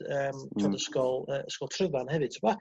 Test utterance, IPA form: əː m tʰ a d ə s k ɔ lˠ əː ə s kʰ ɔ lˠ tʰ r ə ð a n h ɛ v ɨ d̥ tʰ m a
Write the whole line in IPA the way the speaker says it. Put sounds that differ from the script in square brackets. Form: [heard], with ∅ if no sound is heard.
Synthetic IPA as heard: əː m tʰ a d ə s k ɔ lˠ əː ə s [k] ɔ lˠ tʰ r ə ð a n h ɛ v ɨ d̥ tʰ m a